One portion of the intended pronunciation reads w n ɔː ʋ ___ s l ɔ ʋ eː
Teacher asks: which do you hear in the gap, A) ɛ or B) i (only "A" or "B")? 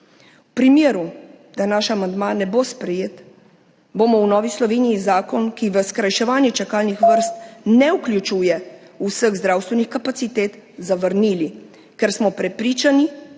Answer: B